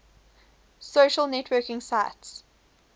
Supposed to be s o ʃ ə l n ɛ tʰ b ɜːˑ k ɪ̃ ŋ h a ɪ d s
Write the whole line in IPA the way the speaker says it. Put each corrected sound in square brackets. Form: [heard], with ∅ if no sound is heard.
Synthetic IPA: s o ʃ ə l n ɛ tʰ [w] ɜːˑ k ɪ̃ ŋ [s] a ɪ [t] s